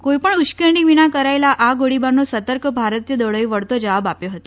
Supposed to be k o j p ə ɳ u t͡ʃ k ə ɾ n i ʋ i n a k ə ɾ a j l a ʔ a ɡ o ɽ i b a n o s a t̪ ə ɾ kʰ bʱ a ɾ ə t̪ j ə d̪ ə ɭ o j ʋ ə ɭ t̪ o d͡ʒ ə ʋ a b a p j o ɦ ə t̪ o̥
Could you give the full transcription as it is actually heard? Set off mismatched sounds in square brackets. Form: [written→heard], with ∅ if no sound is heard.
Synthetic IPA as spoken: k o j p ə ɳ u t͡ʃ k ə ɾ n i ʋ i n a k ə ɾ a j l a ʔ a ɡ o ɽ i b a n o s [a→ə] t̪ ə ɾ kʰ bʱ a ɾ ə t̪ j ə d̪ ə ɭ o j ʋ ə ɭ t̪ o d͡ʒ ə ʋ a b a p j o ɦ ə t̪ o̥